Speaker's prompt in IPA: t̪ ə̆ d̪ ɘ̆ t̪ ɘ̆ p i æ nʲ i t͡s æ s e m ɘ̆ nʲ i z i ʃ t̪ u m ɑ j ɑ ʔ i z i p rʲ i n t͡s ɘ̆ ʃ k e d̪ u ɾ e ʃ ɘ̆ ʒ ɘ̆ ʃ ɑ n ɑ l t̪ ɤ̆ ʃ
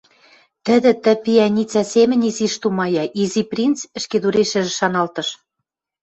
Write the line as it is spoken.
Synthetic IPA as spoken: t̪ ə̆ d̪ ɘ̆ t̪ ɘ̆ p i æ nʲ i t͡s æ s e m ɘ̆ nʲ i z i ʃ t̪ u m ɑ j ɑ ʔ i z i p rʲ i n t͡s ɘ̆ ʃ k e d̪ u ɾ e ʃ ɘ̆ ʒ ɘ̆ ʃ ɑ n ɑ l t̪ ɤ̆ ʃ